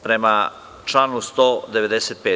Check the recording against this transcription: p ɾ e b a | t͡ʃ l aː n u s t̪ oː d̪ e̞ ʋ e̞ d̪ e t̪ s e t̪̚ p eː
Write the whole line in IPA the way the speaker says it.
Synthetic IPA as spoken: p ɾ e m a | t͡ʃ l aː n u s t̪ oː d̪ e̞ ʋ e̞ d̪ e s e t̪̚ p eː